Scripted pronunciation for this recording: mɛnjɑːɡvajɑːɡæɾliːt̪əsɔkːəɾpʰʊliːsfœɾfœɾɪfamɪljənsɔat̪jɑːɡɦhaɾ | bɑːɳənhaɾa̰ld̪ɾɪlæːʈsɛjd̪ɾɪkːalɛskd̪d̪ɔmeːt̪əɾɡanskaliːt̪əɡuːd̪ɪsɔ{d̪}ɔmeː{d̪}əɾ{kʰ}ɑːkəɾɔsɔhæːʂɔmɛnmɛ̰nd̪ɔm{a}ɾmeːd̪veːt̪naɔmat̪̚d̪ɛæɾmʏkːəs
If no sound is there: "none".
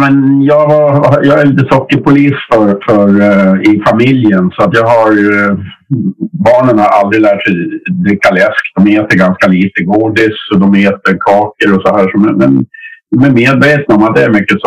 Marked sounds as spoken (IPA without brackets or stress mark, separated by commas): d̪, t̪, kʰ, æ